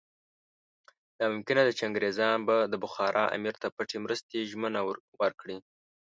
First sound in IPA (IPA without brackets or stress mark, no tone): d̪